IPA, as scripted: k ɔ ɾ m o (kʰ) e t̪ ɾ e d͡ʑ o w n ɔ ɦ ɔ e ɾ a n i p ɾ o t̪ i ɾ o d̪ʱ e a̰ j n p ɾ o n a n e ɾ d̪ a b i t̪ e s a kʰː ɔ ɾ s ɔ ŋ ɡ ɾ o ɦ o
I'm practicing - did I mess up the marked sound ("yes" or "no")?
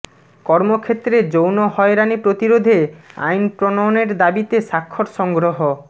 no